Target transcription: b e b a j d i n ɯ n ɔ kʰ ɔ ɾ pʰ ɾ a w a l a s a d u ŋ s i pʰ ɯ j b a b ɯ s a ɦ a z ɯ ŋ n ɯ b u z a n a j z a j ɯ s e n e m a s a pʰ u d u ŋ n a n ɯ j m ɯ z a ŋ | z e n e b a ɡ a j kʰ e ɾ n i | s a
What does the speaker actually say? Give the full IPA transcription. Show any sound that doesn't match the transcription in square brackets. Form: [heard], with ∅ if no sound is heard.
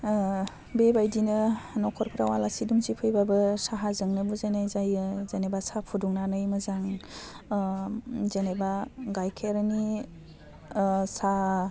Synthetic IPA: b e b a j d i n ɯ n ɔ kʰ ɔ ɾ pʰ ɾ a w a l a s [i] d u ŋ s i pʰ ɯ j b a b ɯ s a ɦ a z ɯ ŋ n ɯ b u z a n a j z a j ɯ [z] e n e [b] a s a pʰ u d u ŋ n a n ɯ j m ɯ z a ŋ | z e n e b a ɡ a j kʰ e ɾ n i | s a